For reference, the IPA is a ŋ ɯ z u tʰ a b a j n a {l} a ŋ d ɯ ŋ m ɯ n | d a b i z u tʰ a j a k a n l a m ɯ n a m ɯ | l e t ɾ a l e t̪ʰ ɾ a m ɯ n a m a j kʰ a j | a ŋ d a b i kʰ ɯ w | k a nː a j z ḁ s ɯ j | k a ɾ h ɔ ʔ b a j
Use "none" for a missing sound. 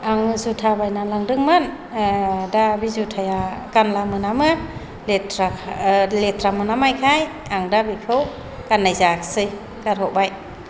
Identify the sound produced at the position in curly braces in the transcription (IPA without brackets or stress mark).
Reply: l